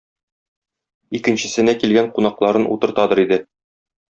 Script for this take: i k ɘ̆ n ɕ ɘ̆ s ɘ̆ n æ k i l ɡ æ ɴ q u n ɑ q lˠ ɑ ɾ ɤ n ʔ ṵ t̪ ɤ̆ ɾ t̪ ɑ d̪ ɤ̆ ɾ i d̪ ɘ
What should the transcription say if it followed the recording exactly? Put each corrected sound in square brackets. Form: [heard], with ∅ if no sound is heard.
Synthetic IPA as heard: i k ɘ̆ n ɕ ɘ̆ s ɘ̆ n æ k i l ɡ æ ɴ q u n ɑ q lˠ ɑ ɾ ɤ n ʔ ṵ t̪ ɤ̆ ɾ t̪ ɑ d̪ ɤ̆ ɾ i d̪ ɘ

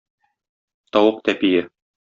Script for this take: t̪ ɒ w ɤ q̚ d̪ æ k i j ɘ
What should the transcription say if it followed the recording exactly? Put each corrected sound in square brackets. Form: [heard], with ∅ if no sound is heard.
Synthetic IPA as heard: t̪ ɒ w ɤ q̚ [t̪] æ [p] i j ɘ

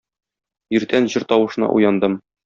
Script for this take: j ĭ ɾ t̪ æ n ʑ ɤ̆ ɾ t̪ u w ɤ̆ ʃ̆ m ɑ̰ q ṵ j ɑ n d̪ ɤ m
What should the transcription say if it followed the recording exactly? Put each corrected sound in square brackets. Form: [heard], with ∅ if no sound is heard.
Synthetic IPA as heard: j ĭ ɾ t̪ æ n ʑ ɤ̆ ɾ t̪ [ɒ] w ɤ̆ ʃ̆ [n] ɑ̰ [ʔ] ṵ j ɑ n d̪ ɤ m

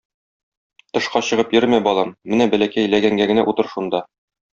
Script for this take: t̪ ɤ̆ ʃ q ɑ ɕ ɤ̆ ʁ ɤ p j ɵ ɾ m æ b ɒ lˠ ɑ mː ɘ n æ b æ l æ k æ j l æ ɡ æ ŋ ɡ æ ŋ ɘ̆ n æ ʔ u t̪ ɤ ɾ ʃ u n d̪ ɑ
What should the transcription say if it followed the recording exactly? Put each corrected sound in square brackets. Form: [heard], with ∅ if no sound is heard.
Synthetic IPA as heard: t̪ ɤ̆ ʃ q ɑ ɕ ɤ̆ ʁ ɤ p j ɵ ɾ m æ b ɒ lˠ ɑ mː ɘ n æ b æ l æ k æ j l æ ɡ æ ŋ ɡ æ [ɡ] ɘ̆ n æ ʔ u t̪ ɤ ɾ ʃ u n d̪ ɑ

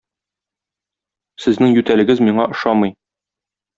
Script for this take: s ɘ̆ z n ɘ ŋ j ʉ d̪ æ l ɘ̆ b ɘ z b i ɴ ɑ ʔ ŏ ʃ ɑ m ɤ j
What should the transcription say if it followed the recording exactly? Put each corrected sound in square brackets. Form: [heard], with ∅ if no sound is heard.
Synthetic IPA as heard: s ɘ̆ z n ɘ ŋ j ʉ [t̪] æ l ɘ̆ [ɡ] ɘ z [m] i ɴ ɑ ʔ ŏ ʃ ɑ m ɤ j

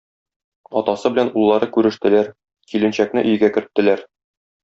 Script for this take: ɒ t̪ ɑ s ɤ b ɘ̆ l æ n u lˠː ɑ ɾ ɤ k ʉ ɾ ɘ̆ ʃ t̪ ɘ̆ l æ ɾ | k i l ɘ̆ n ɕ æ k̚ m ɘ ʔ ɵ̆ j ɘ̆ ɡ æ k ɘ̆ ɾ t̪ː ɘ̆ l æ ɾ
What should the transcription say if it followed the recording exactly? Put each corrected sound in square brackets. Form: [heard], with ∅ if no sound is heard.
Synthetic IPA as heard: ɒ t̪ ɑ s ɤ b ɘ̆ l æ n u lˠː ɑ ɾ ɤ k ʉ ɾ ɘ̆ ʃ t̪ ɘ̆ l æ ɾ | k i l ɘ̆ n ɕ æ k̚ [n] ɘ ʔ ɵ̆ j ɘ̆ ɡ æ k ɘ̆ ɾ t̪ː ɘ̆ l æ ɾ

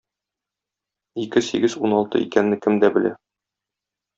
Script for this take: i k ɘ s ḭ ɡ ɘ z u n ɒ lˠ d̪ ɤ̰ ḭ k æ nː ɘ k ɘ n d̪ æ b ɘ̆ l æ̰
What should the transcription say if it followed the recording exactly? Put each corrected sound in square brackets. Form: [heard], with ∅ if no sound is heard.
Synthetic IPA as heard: i k ɘ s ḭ ɡ ɘ z u n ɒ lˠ [t̪] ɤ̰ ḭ k æ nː ɘ k ɘ [m] d̪ æ b ɘ̆ l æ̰

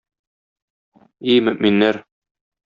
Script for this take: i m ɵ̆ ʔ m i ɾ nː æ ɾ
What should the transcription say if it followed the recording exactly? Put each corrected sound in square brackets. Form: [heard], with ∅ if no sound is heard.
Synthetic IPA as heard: i m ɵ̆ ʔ m i [∅] nː æ ɾ

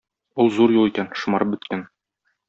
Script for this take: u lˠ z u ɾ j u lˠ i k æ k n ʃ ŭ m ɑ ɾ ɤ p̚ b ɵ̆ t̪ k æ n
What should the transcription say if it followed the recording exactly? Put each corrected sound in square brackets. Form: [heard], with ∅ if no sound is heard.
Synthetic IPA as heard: u lˠ z u ɾ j u lˠ i k æ [∅] n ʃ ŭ m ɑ ɾ ɤ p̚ b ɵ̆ t̪ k æ n

